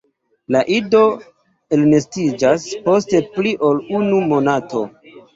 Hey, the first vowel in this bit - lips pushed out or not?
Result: no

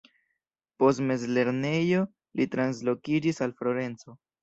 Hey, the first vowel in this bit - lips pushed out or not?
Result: yes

